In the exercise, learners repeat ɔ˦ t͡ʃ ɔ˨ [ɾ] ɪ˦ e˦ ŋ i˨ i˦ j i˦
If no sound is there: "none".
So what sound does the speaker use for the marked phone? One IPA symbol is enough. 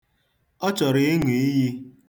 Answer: ɾ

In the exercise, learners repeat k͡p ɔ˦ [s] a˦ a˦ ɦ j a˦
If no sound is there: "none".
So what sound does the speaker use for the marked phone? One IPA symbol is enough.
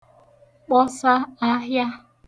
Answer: s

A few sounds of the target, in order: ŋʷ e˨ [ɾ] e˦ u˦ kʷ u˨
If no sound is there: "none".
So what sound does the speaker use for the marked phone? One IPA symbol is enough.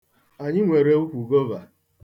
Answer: ɾ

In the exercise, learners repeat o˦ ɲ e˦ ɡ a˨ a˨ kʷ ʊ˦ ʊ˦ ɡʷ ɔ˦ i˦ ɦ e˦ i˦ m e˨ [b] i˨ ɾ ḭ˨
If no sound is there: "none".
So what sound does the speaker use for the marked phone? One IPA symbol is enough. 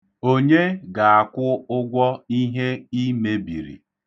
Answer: b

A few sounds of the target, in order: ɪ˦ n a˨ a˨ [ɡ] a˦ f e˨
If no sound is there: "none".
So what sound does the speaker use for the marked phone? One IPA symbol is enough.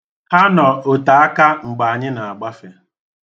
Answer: ɡ͡b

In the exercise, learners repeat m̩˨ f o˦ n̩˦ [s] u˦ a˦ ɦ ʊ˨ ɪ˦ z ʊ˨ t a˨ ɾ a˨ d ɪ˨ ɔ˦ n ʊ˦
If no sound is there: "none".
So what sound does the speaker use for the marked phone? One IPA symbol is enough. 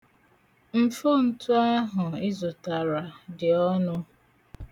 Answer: t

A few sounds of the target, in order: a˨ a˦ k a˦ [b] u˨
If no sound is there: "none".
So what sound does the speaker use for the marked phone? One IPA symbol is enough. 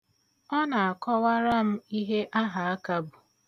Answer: b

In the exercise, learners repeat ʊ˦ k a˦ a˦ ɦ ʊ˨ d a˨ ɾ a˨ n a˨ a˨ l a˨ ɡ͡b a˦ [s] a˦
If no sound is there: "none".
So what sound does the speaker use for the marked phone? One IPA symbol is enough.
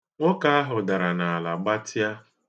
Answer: t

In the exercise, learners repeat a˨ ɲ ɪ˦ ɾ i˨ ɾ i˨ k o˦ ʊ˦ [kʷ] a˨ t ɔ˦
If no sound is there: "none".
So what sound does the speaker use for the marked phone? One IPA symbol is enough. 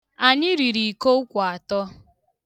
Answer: kʷ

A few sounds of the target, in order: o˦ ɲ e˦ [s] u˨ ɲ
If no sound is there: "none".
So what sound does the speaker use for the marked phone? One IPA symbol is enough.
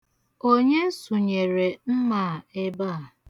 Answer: s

